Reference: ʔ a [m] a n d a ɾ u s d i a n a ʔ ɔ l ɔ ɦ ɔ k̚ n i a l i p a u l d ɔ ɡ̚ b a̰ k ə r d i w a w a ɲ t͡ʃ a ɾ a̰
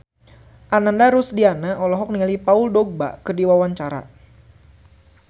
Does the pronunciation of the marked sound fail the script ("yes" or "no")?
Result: yes